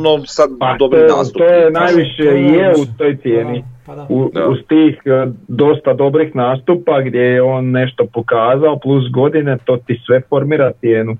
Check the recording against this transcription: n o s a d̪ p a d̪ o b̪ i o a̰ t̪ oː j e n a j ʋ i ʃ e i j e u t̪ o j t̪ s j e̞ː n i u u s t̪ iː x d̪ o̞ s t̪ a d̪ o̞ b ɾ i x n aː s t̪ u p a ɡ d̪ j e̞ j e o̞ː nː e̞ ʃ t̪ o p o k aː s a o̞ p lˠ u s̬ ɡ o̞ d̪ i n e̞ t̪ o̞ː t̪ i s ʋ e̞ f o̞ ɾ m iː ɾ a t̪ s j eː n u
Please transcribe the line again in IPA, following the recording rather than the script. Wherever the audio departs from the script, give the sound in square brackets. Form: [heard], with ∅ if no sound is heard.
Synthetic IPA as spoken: n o s a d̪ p a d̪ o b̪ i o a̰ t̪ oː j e n a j ʋ i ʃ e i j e u t̪ o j t̪ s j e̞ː n i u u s t̪ iː x d̪ o̞ s t̪ a d̪ o̞ b ɾ i x n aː s t̪ u p a ɡ d̪ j e̞ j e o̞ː nː e̞ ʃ t̪ o p o k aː [z] a o̞ p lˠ u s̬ ɡ o̞ d̪ i n e̞ t̪ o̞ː t̪ i s ʋ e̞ f o̞ ɾ m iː ɾ a t̪ s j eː n u